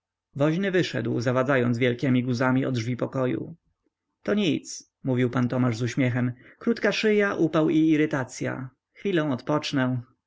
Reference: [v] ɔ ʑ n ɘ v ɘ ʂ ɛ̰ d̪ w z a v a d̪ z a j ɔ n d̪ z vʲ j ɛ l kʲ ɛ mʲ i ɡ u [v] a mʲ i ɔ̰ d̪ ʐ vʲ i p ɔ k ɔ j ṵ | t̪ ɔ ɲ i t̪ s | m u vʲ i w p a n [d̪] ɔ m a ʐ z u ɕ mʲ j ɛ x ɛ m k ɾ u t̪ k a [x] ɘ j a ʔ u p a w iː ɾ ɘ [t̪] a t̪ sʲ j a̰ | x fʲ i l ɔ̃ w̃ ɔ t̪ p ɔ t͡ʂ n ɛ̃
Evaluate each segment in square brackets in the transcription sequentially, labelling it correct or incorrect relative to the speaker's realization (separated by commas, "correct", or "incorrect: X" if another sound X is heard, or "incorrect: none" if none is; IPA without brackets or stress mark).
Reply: correct, incorrect: z, incorrect: t̪, incorrect: ʂ, correct